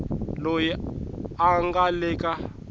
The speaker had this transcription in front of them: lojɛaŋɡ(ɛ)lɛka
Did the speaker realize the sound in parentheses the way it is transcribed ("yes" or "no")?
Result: no